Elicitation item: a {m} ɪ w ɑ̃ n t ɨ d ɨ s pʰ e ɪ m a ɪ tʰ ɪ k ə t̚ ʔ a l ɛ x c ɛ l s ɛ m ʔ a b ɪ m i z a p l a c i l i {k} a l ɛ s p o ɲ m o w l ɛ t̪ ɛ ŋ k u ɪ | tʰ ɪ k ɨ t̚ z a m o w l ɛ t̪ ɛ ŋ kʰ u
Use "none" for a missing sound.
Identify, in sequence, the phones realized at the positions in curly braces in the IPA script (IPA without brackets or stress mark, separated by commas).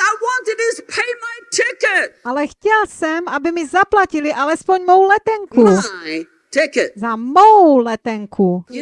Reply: none, ʔ